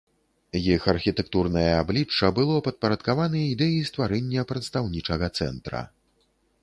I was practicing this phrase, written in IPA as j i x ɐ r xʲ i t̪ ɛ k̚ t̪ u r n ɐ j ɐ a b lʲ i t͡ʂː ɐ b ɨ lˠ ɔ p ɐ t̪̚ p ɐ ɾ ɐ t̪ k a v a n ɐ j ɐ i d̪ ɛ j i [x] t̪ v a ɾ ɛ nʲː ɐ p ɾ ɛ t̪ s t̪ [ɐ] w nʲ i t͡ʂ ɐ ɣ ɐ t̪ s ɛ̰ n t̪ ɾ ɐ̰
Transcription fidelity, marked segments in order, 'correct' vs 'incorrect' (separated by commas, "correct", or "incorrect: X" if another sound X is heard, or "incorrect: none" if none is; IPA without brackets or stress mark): incorrect: s, incorrect: a